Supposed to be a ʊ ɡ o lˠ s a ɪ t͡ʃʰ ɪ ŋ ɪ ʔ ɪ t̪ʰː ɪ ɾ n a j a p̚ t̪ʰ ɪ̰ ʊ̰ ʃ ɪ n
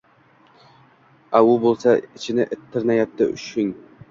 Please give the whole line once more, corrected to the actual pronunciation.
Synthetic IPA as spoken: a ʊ b o lˠ s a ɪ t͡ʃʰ ɪ n ɪ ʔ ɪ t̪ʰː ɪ ɾ n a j a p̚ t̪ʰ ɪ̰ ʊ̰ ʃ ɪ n